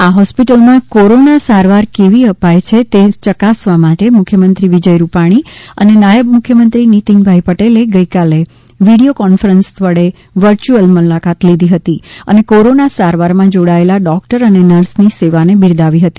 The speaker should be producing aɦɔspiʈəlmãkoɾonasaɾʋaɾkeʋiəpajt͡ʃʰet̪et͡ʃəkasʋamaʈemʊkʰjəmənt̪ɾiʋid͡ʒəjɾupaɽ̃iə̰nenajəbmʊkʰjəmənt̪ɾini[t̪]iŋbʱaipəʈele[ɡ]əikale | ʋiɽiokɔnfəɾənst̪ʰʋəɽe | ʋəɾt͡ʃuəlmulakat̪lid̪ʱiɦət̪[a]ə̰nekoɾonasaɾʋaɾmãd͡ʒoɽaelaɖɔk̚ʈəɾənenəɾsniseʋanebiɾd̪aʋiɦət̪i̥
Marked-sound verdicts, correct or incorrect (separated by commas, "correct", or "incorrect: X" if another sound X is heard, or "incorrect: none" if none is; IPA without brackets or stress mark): correct, correct, incorrect: i